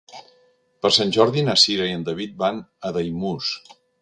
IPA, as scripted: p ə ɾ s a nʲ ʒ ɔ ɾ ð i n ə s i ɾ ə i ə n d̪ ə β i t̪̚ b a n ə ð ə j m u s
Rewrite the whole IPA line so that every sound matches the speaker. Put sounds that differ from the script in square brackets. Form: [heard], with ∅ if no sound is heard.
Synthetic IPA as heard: p ə ɾ s a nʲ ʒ ɔ ɾ ð i n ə s i ɾ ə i ə n d̪ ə β i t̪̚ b a n ə ð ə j m u s